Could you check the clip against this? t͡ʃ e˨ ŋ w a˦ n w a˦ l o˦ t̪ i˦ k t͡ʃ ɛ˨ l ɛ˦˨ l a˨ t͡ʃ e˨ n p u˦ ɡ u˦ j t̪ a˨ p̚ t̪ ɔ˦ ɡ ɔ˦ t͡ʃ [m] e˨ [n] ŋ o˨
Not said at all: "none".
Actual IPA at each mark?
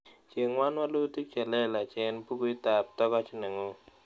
n, none

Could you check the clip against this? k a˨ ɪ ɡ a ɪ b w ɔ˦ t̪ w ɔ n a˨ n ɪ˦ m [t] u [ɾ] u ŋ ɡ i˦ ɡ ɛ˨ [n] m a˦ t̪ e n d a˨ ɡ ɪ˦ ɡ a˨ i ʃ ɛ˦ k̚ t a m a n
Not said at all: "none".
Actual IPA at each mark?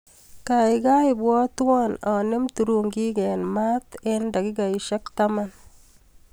t, ɾ, n

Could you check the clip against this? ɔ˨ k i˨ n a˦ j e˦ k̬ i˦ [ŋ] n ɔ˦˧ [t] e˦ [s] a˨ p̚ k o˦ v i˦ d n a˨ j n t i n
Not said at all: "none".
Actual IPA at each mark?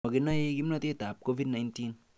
m, t, t

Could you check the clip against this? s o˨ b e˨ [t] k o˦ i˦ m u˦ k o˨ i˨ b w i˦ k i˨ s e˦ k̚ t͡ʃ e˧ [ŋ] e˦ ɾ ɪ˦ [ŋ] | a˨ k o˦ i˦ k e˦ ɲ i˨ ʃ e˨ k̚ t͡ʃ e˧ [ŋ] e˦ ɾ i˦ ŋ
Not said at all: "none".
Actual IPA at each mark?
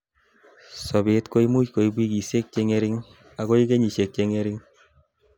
t, ŋ, ŋ, ŋ

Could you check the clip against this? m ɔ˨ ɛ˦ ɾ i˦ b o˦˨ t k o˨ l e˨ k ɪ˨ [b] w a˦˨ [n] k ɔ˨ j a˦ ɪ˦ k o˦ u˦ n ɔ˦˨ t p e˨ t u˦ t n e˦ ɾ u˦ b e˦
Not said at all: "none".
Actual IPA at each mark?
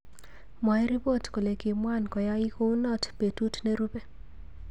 m, n

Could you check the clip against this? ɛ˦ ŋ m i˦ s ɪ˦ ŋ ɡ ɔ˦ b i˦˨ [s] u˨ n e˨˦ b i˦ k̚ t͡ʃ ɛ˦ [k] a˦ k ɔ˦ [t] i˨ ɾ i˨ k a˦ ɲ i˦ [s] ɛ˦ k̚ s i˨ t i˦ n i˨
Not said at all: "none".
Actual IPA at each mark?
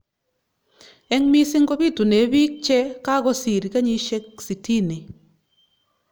t, k, s, ʃ

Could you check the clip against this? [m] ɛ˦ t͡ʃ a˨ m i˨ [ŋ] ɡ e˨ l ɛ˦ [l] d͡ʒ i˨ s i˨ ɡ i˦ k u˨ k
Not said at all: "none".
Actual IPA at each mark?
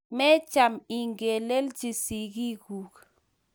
m, ŋ, l

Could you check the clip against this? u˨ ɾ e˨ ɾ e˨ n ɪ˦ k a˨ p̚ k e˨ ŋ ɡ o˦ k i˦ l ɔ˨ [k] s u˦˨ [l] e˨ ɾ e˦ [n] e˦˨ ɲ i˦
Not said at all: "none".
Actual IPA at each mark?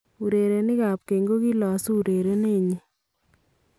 none, ɾ, n

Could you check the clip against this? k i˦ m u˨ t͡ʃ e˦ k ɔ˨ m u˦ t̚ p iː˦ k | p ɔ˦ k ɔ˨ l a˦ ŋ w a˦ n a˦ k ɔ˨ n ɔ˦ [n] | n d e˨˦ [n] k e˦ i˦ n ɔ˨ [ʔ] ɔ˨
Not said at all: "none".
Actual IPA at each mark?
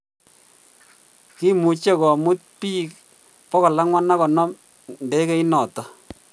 m, none, t

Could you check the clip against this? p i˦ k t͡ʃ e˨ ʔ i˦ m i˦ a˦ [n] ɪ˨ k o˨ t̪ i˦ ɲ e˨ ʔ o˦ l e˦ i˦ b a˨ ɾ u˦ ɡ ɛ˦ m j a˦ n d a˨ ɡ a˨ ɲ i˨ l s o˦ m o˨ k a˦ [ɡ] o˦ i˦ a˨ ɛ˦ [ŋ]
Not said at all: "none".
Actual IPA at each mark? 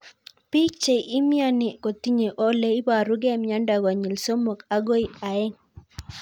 n, ɡ, ŋ

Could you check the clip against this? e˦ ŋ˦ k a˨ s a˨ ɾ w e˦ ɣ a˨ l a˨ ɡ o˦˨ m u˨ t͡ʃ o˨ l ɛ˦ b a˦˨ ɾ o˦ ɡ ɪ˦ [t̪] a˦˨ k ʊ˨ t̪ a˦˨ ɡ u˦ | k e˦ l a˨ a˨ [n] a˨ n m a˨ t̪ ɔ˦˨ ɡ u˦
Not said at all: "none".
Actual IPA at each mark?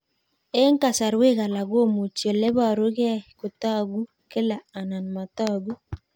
none, n

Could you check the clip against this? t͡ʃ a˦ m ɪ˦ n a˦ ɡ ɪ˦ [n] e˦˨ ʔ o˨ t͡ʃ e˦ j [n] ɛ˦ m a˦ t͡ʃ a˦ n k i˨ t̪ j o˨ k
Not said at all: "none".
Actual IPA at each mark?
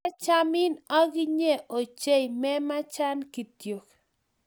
ɲ, m

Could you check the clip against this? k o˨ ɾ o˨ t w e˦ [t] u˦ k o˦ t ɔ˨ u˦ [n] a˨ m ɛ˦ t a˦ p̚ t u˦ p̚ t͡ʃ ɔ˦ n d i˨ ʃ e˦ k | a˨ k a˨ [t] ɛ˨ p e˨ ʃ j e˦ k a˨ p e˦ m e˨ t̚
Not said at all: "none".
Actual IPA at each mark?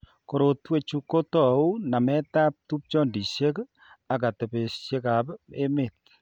t͡ʃ, n, t

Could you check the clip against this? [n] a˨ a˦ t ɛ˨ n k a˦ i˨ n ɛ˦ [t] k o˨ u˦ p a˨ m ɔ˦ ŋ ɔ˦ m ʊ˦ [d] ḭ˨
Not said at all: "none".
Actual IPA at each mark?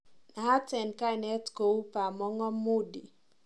n, t, d

